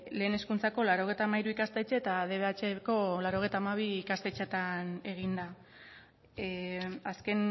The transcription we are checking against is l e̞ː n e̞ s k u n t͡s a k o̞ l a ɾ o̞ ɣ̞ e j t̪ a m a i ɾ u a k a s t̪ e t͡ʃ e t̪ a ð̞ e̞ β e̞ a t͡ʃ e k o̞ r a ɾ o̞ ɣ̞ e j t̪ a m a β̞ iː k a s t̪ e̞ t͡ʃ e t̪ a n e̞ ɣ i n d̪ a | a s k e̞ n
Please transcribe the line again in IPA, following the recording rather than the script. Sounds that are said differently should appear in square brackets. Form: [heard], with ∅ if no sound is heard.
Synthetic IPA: l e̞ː n e̞ s k u n t͡s a k o̞ l a ɾ o̞ ɣ̞ e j t̪ a m a i ɾ u [i] k a s t̪ e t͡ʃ e t̪ a ð̞ e̞ β e̞ a t͡ʃ e k o̞ [l] a ɾ o̞ ɣ̞ e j t̪ a m a β̞ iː k a s t̪ e̞ t͡ʃ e t̪ a n e̞ ɣ i n d̪ a | a s k e̞ n